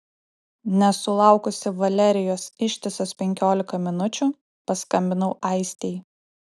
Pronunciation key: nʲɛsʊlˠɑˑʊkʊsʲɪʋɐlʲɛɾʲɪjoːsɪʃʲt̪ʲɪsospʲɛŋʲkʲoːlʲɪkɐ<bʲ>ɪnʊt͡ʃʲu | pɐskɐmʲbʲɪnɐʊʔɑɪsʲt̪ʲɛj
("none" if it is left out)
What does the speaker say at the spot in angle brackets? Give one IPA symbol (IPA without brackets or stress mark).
mʲ